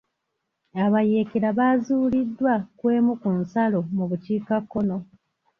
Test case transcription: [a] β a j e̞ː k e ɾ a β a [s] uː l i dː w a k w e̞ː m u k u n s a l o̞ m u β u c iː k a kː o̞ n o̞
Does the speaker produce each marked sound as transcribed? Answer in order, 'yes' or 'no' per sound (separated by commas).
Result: yes, no